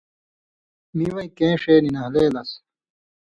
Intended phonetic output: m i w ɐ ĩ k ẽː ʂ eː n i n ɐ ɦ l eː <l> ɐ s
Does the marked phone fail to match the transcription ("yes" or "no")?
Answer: no